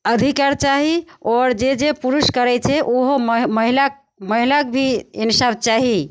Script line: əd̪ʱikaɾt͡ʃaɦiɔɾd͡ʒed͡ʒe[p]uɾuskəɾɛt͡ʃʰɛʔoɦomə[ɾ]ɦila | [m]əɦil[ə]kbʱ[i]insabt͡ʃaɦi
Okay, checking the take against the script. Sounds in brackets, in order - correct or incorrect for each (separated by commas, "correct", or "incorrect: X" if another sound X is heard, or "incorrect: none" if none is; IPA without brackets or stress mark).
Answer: correct, incorrect: none, correct, incorrect: a, correct